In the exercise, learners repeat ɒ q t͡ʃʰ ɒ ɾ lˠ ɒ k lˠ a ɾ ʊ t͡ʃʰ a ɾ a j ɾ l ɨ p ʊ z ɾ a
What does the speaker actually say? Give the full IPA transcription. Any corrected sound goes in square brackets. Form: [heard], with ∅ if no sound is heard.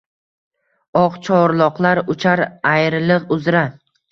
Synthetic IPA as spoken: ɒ q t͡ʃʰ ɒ ɾ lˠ ɒ [q] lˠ a ɾ ʊ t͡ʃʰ a ɾ a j ɾ l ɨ [q] ʊ z ɾ a